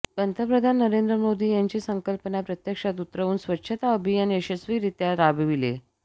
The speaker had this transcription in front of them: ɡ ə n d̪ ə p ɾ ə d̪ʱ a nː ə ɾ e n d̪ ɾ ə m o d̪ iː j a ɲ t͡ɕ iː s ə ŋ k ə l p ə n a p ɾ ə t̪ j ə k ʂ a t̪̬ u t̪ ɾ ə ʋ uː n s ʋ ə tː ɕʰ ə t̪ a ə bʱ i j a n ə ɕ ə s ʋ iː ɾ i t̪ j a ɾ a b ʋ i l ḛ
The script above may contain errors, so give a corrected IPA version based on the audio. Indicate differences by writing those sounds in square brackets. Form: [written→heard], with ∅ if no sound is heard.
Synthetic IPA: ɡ ə n [d̪→t̪] ə p ɾ ə d̪ʱ a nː ə ɾ e n d̪ ɾ ə m o d̪ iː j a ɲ t͡ɕ iː s ə ŋ k ə l p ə n a p ɾ ə t̪ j ə k ʂ a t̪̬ u t̪ ɾ ə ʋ uː n s ʋ ə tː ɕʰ ə t̪ a ə bʱ i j a n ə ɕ ə s ʋ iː ɾ i t̪ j a ɾ a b ʋ i l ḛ